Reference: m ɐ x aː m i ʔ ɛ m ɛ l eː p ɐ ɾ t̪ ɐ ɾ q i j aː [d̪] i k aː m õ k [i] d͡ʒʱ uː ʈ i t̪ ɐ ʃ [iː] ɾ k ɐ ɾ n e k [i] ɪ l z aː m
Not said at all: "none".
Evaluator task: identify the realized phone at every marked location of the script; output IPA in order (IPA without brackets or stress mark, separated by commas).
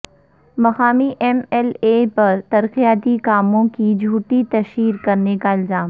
t̪, i, iː, a